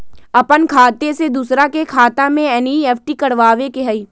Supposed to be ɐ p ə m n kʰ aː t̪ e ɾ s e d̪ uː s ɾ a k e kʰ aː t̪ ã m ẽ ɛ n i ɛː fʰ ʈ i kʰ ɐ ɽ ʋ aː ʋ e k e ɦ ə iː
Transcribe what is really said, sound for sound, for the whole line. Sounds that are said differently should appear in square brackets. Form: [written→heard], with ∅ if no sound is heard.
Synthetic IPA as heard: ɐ p ə [m→∅] n kʰ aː t̪ e [ɾ→∅] s e d̪ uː s ɾ a k e kʰ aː t̪ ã m ẽ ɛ n i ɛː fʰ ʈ i [kʰ→k] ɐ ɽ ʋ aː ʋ e k e ɦ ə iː